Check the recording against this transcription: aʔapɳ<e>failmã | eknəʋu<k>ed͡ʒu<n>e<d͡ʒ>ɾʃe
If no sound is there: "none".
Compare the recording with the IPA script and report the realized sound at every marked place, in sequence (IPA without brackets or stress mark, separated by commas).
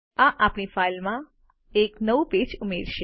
i, p, m, none